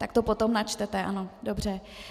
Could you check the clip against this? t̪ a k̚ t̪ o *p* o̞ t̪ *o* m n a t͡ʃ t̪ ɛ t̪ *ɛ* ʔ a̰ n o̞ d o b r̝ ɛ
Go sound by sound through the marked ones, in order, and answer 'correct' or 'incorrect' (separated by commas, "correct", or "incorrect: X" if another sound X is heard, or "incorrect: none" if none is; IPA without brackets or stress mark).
correct, correct, correct